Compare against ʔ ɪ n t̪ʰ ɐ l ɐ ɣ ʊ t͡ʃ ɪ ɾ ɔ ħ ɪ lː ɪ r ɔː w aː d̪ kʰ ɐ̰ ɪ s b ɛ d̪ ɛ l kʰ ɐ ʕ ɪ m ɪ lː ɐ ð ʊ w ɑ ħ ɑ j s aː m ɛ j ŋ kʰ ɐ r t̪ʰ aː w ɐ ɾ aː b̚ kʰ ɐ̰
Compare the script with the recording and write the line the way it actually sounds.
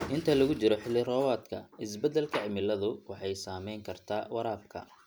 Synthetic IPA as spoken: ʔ ɪ n t̪ʰ ɐ l ɐ ɣ ʊ t͡ʃ ɪ ɾ ɔ ħ ɪ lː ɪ r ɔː w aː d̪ kʰ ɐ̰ ɪ s b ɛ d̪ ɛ l kʰ ɐ ʕ ɪ m ɪ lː ɐ ð ʊ w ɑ ħ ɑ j s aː m ɛ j ŋ kʰ ɐ r t̪ʰ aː w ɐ ɾ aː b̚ kʰ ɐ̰